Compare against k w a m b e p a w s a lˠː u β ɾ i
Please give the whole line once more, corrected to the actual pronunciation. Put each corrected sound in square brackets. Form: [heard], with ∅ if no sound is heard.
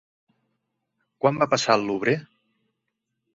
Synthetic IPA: k w a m b [a] p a [∅] s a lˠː u β ɾ [e]